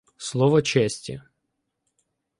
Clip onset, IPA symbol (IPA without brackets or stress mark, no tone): s